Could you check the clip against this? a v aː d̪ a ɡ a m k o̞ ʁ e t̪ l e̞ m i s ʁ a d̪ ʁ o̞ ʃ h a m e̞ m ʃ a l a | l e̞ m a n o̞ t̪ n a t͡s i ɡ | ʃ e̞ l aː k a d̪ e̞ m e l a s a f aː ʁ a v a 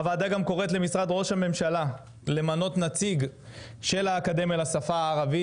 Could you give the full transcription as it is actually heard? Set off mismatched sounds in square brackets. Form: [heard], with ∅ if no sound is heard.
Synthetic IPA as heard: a v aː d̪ a ɡ a m k o̞ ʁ e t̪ l e̞ m i s ʁ a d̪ ʁ o̞ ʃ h a m e̞ m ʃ a l a | l e̞ m a n o̞ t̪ n a t͡s i ɡ | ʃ e̞ l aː k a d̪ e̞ m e l a s a f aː ʁ a v [i]